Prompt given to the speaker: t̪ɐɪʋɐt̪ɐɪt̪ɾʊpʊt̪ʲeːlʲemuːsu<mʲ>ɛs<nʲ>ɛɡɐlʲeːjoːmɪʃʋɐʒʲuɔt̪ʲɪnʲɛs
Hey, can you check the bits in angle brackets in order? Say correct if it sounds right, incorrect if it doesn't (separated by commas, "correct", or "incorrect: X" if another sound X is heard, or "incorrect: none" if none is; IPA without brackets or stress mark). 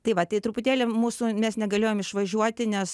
correct, correct